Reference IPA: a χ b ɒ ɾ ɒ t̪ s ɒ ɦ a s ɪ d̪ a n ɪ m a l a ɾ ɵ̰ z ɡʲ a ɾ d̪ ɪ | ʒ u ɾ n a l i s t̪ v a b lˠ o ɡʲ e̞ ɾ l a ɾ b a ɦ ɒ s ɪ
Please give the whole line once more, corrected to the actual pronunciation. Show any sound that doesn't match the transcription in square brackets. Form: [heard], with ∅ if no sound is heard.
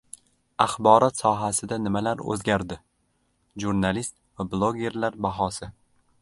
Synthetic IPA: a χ b ɒ ɾ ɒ t̪ s ɒ ɦ a s ɪ d̪ a n ɪ m a l a ɾ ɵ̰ z ɡʲ a ɾ d̪ ɪ | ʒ u ɾ n a l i s t̪ v a b lˠ o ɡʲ e̞ ɾ l a ɾ b a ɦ ɒ s ɪ